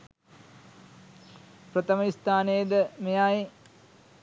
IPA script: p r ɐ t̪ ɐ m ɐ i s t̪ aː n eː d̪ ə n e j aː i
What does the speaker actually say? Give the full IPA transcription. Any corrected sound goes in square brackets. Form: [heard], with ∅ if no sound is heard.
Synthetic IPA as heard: p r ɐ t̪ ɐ m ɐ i s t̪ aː n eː d̪ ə [m] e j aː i